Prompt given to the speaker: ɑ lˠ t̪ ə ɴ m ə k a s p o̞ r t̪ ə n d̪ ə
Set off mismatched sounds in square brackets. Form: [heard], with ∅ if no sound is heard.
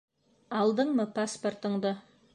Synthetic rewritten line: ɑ lˠ [d̪] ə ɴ m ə [p] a s p o̞ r t̪ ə [ɴ] d̪ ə